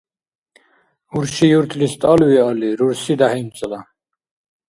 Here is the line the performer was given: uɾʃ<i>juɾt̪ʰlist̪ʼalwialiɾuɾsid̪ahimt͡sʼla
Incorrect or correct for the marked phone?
correct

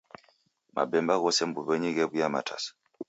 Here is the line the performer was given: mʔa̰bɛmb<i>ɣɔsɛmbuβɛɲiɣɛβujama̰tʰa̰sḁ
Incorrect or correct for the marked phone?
incorrect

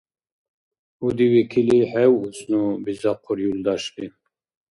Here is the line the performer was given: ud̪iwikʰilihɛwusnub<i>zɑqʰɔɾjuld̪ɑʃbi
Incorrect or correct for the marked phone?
correct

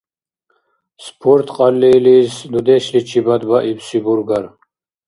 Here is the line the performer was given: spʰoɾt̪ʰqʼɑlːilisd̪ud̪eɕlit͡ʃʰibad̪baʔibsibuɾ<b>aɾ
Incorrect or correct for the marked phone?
incorrect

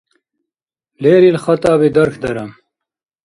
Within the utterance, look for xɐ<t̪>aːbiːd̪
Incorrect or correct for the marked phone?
correct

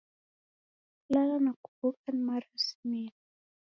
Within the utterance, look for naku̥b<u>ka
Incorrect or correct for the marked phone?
correct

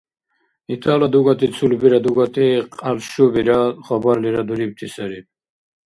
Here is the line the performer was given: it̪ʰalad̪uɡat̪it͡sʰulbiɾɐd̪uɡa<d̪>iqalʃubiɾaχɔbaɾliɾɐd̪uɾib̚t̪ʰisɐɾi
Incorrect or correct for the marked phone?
incorrect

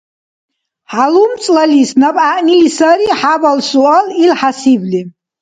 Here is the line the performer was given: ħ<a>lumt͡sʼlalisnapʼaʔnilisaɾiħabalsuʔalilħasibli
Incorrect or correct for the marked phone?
correct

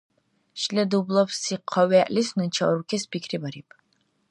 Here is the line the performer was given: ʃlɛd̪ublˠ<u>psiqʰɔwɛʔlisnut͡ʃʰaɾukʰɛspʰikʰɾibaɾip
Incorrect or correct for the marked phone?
incorrect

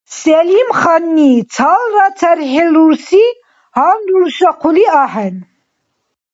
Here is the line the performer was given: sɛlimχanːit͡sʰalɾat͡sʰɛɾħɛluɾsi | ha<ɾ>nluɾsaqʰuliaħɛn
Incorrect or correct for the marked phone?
incorrect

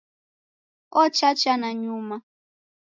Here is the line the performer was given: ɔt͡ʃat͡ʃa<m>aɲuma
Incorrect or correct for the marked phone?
incorrect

